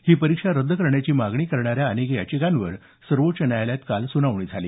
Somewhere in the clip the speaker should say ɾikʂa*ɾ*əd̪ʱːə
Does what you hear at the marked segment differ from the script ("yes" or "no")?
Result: no